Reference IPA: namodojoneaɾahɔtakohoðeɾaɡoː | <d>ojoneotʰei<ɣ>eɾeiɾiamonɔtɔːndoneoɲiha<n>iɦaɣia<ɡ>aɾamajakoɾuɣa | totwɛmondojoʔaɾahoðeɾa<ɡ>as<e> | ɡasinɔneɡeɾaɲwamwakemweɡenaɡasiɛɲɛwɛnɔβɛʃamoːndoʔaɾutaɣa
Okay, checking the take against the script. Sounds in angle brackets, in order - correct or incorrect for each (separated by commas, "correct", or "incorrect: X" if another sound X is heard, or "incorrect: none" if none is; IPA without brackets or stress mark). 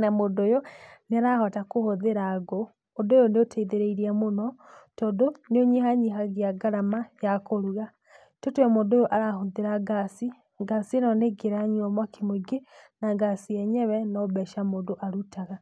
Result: correct, incorrect: ð, incorrect: ɲ, correct, correct, incorrect: i